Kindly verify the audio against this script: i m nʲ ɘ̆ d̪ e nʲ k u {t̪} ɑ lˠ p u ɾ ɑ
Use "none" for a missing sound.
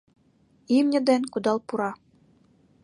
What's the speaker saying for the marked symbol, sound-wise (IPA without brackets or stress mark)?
d̪